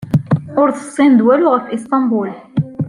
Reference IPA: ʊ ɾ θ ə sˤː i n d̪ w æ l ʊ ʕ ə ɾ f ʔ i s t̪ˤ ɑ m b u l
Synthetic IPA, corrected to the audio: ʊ ɾ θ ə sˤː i n d̪ w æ l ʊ ʁ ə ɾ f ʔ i s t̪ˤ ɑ m b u l